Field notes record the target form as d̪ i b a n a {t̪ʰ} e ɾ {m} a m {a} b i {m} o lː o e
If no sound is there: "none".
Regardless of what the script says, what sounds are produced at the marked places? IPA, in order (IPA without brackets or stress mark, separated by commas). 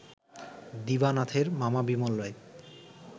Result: t̪ʰ, m, a, m